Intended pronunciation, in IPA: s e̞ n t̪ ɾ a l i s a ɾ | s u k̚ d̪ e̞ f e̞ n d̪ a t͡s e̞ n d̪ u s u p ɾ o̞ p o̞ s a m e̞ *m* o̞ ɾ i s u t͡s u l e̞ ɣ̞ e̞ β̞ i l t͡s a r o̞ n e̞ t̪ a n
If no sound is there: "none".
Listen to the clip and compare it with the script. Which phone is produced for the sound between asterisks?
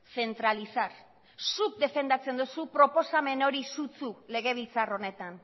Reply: n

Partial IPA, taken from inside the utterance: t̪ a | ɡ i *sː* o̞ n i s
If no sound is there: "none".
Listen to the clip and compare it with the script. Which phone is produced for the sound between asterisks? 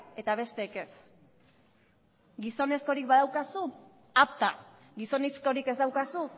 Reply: s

